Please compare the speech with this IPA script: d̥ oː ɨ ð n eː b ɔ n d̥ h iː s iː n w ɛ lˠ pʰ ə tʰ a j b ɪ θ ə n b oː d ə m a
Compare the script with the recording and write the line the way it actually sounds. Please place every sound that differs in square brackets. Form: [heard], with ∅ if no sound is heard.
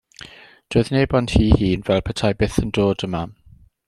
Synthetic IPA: d̥ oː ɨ ð n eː b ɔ n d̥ h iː [h] iː n [v] ɛ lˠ pʰ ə tʰ a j b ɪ θ ə n [d] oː d ə m a